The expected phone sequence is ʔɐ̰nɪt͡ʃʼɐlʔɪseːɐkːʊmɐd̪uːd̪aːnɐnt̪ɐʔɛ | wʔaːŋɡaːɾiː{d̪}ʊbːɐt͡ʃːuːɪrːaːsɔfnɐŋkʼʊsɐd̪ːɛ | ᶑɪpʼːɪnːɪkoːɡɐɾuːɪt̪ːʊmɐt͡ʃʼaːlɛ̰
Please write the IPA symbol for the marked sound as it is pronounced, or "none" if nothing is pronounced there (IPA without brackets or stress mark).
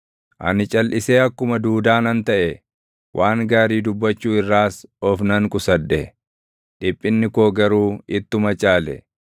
d̪